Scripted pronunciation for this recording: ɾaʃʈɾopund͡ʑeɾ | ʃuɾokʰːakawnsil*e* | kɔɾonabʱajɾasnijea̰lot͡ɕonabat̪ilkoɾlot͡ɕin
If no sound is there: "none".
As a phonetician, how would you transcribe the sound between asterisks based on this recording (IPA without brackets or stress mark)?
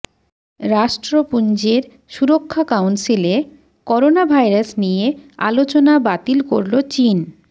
e